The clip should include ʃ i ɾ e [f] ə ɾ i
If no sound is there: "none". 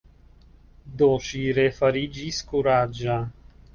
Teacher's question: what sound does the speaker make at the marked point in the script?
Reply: f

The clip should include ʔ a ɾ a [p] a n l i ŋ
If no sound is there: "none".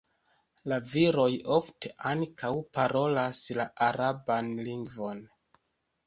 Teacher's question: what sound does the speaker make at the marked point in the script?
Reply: b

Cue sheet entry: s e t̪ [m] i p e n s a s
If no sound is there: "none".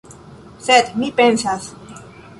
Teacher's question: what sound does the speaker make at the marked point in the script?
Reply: m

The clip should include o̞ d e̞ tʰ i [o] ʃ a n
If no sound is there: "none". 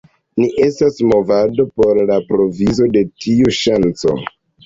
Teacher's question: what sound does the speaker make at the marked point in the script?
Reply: u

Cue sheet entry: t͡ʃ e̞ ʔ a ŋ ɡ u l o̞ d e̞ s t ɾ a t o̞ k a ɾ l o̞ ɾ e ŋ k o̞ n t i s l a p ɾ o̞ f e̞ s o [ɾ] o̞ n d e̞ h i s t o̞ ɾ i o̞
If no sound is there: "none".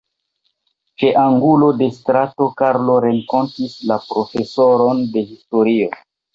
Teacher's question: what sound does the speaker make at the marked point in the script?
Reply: ɾ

